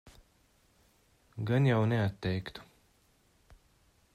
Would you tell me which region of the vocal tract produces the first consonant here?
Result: velum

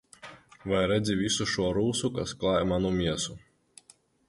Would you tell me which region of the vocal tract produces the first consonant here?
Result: lips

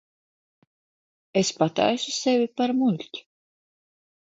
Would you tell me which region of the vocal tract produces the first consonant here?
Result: tongue tip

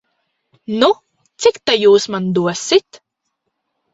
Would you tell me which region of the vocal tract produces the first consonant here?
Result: tongue tip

